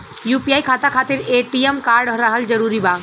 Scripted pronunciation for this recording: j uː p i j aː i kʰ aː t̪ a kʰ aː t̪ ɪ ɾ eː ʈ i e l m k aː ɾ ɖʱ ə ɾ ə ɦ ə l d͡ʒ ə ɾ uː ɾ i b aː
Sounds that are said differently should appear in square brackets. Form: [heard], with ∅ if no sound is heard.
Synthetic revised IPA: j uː p i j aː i kʰ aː t̪ a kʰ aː t̪ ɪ ɾ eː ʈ i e [∅] m k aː ɾ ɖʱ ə ɾ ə ɦ ə l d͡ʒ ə ɾ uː ɾ i b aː